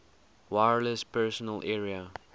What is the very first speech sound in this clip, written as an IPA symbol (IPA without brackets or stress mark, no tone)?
w